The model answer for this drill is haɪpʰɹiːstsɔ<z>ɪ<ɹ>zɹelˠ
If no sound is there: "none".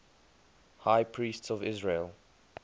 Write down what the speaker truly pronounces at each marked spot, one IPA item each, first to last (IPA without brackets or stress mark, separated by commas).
v, none